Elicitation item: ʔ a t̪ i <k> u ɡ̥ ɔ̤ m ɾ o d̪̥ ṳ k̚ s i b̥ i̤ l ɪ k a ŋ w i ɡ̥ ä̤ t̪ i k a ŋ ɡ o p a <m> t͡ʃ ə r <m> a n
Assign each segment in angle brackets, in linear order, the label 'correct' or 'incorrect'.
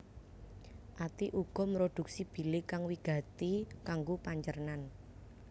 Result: incorrect: ʔ, incorrect: ɲ, incorrect: n

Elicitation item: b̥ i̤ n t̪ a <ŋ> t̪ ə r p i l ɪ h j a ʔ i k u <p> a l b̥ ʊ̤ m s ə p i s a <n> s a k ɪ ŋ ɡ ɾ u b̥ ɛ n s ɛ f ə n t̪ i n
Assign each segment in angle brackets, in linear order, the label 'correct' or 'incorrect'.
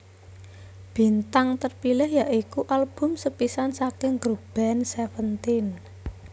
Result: correct, incorrect: ʔ, correct

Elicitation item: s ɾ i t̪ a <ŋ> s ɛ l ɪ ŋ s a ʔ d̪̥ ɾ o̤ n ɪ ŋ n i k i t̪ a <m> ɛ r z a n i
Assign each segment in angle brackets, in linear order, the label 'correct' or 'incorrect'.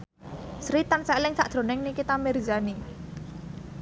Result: incorrect: n, correct

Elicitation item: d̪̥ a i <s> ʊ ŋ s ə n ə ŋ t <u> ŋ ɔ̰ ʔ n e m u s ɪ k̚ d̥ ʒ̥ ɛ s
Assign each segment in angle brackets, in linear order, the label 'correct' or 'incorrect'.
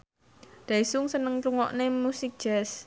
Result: correct, correct

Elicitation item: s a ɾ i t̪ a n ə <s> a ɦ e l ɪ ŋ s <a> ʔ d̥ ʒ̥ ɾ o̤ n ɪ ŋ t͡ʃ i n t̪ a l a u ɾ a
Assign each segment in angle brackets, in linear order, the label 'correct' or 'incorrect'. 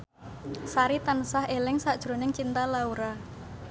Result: correct, correct

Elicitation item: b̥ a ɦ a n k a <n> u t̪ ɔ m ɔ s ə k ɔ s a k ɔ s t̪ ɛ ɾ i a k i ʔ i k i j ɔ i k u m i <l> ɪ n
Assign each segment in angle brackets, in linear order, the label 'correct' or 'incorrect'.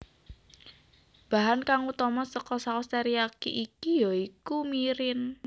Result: incorrect: ŋ, incorrect: ɾ

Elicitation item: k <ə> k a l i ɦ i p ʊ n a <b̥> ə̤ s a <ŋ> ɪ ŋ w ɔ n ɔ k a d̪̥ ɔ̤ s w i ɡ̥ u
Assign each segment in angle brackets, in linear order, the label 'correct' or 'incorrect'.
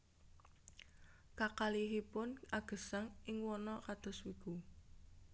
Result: incorrect: a, incorrect: ɡ̥, correct

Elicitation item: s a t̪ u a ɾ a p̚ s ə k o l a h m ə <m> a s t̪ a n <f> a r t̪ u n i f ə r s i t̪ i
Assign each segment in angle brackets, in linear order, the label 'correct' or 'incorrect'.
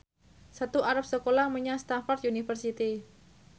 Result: incorrect: ɲ, correct

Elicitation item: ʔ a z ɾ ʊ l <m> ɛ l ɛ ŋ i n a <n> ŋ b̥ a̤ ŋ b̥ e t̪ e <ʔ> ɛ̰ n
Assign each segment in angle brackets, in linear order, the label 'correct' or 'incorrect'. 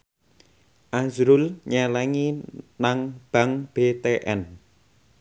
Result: incorrect: ɲ, incorrect: none, correct

